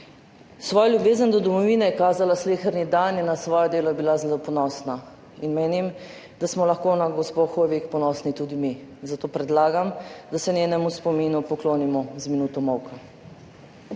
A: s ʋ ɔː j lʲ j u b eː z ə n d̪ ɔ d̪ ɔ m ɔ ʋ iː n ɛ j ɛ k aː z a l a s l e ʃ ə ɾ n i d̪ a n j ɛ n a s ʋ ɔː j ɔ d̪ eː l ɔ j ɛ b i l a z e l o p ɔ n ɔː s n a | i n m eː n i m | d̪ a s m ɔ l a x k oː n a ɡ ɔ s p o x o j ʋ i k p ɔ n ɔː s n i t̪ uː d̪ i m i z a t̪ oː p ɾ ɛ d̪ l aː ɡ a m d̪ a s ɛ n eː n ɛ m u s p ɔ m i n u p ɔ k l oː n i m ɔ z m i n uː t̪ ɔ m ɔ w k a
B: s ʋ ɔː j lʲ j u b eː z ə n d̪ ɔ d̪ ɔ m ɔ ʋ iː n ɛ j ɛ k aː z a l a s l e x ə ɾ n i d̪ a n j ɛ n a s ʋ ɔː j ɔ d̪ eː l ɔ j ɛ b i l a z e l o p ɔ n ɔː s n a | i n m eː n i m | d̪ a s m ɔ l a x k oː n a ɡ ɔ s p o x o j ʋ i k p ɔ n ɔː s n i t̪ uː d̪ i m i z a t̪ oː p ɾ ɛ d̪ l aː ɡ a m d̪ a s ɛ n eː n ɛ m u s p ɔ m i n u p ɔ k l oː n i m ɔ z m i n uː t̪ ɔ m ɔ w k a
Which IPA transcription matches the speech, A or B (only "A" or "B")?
B